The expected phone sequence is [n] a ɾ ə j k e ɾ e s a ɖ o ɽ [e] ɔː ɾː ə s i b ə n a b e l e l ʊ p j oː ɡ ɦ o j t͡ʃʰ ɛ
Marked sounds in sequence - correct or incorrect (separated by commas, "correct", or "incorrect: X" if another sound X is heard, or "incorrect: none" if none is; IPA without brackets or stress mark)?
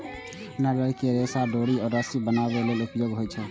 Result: correct, incorrect: i